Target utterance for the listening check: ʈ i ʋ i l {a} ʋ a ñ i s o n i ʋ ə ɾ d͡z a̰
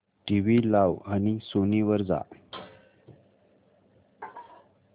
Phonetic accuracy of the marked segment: correct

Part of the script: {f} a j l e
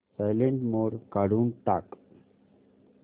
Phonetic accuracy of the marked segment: incorrect: s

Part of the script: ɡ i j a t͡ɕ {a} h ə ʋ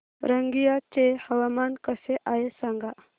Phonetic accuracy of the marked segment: incorrect: e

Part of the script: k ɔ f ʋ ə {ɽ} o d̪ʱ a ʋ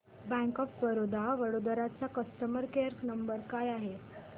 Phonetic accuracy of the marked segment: incorrect: ɾ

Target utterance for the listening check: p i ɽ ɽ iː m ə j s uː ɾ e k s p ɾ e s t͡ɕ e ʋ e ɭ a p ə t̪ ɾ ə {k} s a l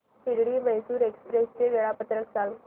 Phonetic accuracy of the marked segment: correct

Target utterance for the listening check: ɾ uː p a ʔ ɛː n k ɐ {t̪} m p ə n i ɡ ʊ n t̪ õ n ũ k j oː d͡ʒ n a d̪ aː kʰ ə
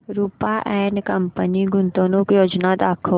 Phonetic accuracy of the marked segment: incorrect: none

